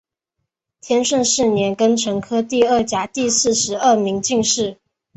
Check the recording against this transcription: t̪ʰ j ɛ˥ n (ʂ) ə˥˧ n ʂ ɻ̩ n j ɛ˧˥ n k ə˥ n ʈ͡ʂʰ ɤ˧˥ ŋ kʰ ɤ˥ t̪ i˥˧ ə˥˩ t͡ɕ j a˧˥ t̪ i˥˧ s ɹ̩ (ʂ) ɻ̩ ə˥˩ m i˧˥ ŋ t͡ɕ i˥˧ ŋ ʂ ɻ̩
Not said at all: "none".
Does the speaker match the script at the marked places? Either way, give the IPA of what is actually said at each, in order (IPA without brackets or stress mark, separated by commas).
ʂ, ʂ